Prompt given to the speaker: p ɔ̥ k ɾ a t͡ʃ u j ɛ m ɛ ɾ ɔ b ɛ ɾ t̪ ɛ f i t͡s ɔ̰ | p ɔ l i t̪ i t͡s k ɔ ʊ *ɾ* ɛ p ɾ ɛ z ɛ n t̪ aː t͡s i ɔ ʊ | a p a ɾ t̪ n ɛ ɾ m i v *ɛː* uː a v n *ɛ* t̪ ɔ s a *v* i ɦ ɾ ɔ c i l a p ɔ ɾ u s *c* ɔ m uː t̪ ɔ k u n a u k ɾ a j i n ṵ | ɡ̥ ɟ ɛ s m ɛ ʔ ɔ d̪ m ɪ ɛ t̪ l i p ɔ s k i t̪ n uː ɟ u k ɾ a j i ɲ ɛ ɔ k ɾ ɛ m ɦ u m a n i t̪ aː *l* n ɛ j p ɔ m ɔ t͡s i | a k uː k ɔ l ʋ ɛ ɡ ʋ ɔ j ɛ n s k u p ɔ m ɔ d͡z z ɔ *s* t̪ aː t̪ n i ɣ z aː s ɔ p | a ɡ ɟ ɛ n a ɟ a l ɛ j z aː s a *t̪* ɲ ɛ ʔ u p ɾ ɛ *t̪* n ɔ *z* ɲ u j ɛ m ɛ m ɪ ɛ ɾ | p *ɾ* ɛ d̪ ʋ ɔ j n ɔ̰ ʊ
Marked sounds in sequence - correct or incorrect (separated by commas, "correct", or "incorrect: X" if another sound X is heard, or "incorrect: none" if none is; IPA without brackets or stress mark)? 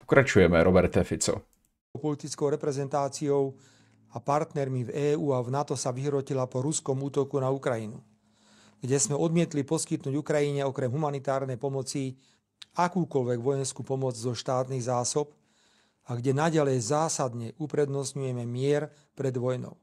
correct, correct, incorrect: a, incorrect: ʋ, incorrect: k, incorrect: ɾ, incorrect: ʃ, incorrect: d̪, incorrect: d̪, incorrect: s, correct